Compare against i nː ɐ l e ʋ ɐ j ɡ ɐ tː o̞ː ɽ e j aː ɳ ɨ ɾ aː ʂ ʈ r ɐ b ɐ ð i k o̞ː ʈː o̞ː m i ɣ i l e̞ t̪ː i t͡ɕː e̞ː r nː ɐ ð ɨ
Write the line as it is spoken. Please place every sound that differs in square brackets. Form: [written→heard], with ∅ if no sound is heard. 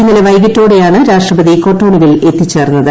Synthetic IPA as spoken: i nː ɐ l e ʋ ɐ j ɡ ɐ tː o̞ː ɽ e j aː ɳ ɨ ɾ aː ʂ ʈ r ɐ b ɐ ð i k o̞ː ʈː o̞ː [m→ɳ] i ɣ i l e̞ t̪ː i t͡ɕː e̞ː r nː ɐ ð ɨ

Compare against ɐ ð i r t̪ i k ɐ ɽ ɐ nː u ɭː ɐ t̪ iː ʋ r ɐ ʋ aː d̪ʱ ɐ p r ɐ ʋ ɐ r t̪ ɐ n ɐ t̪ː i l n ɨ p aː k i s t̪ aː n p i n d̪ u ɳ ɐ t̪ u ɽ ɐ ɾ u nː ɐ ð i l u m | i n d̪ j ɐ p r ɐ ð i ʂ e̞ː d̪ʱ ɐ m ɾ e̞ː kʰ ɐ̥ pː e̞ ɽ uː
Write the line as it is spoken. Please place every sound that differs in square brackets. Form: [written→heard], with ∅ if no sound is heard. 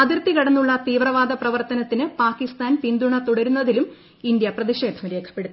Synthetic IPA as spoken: ɐ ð i r t̪ i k ɐ ɽ ɐ nː u ɭː ɐ t̪ iː ʋ r ɐ ʋ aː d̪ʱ ɐ p r ɐ ʋ ɐ r t̪ ɐ n ɐ t̪ː i [l→∅] n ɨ p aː k i s t̪ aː n p i n d̪ u ɳ ɐ t̪ u ɽ ɐ ɾ u nː ɐ ð i l u m | i n d̪ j ɐ p r ɐ ð i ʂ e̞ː d̪ʱ ɐ m ɾ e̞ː kʰ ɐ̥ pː e̞ ɽ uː

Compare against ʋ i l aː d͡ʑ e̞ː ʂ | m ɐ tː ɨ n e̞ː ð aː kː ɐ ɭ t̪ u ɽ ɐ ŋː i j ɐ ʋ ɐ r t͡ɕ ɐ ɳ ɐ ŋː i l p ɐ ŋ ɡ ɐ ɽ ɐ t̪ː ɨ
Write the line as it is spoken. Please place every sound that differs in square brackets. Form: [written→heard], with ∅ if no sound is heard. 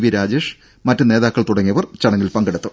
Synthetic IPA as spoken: ʋ i [l→ɾ] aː d͡ʑ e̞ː ʂ | m ɐ tː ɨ n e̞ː ð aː kː ɐ ɭ t̪ u ɽ ɐ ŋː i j ɐ ʋ ɐ r t͡ɕ ɐ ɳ ɐ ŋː i l p ɐ ŋ ɡ ɐ ɽ ɐ t̪ː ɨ

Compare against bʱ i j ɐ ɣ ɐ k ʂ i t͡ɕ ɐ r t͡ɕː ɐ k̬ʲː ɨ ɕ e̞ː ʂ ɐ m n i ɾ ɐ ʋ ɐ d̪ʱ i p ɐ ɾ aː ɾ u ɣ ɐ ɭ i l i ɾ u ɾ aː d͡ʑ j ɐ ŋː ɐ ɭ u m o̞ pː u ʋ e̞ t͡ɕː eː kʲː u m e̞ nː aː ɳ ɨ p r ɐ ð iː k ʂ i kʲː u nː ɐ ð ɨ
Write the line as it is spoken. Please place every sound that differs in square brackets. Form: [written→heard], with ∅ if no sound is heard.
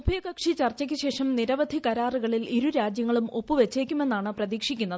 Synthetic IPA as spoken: bʱ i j ɐ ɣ ɐ k ʂ i t͡ɕ ɐ r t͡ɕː ɐ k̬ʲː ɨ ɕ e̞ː ʂ ɐ m n i ɾ ɐ ʋ ɐ d̪ʱ i [p→k] ɐ ɾ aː [ɾ→r] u ɣ ɐ ɭ i l i ɾ u ɾ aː d͡ʑ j ɐ ŋː ɐ ɭ u m o̞ pː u ʋ e̞ t͡ɕː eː kʲː u m e̞ nː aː ɳ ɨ p r ɐ ð iː k ʂ i kʲː u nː ɐ ð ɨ

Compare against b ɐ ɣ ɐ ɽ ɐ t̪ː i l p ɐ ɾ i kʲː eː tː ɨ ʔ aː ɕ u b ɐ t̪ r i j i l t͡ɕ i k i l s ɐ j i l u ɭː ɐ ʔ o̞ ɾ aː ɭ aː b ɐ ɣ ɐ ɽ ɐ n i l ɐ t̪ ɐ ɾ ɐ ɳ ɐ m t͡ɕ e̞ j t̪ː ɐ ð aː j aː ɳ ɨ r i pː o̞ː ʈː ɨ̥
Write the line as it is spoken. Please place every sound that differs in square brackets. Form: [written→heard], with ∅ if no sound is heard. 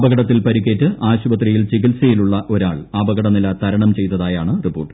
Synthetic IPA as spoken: b ɐ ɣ ɐ ɽ ɐ t̪ː i l p ɐ ɾ i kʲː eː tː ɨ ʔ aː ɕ u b ɐ t̪ r i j i l t͡ɕ i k i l s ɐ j i l u ɭː ɐ ʔ o̞ ɾ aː ɭ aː b ɐ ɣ ɐ ɽ ɐ n i l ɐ t̪ ɐ ɾ ɐ ɳ ɐ m t͡ɕ e̞ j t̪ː ɐ ð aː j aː ɳ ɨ r i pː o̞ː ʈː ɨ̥

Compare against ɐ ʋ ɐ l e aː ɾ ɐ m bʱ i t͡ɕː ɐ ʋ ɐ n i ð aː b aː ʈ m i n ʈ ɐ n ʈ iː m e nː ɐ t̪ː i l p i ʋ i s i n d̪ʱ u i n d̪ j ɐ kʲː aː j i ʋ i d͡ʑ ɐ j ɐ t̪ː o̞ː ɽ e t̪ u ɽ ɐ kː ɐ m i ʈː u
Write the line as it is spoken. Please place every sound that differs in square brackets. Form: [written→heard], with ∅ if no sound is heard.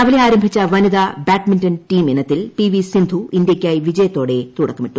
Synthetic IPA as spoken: ɐ ʋ ɐ l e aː ɾ ɐ m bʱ i t͡ɕː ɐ ʋ ɐ n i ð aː b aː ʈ m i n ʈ ɐ n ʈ iː m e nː ɐ t̪ː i l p i ʋ i s i n d̪ʱ u i n d̪ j ɐ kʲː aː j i ʋ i d͡ʑ ɐ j ɐ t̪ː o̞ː ɽ e t̪ u ɽ ɐ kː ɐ m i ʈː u

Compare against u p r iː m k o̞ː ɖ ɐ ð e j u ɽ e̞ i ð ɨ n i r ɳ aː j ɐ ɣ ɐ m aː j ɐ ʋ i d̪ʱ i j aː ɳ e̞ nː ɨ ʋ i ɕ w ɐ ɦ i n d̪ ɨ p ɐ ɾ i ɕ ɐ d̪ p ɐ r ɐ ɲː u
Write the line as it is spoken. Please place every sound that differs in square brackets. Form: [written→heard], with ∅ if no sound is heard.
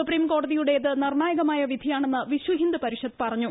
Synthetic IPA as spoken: u p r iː m k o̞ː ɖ ɐ ð [e→i] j u ɽ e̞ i ð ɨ n i r ɳ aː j ɐ ɣ ɐ m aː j ɐ ʋ i d̪ʱ i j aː ɳ e̞ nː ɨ ʋ i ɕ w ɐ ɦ i n d̪ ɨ p ɐ ɾ i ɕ ɐ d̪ p ɐ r ɐ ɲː u

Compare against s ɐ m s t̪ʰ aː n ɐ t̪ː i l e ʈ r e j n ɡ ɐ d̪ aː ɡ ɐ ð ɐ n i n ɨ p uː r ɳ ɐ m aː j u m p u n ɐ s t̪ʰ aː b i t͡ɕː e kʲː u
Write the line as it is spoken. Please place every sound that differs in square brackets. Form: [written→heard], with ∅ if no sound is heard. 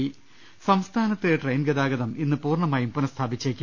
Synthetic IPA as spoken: s ɐ m s t̪ʰ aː n ɐ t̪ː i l e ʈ r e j n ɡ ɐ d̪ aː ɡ ɐ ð ɐ [n→m] i [n→nː] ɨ p uː r ɳ ɐ m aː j u m p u n ɐ s t̪ʰ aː b i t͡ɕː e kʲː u

